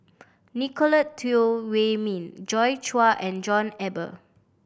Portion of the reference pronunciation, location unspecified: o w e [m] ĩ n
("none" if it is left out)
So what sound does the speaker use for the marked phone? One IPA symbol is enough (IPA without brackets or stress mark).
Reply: m